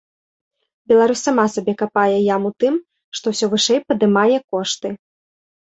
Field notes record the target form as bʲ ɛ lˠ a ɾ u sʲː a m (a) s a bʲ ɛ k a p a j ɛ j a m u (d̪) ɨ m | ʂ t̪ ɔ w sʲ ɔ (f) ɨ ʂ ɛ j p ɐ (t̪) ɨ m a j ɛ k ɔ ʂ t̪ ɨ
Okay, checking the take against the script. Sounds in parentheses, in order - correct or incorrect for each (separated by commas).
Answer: correct, incorrect, incorrect, incorrect